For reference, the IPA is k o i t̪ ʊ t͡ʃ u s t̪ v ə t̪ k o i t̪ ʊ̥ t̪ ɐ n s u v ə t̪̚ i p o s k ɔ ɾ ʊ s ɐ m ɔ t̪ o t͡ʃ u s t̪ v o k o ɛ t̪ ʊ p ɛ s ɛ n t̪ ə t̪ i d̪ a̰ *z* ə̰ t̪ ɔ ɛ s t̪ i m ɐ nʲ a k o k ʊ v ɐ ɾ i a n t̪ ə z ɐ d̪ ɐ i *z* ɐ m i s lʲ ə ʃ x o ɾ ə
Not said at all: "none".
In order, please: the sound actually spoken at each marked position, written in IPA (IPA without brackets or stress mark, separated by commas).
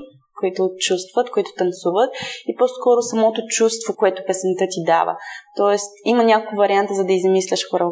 v, z